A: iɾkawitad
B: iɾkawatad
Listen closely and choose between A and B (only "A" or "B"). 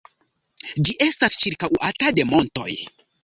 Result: B